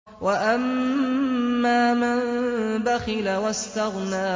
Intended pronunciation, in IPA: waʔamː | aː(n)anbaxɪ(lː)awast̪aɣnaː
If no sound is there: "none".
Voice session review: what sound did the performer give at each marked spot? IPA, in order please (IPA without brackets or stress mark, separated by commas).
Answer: m, l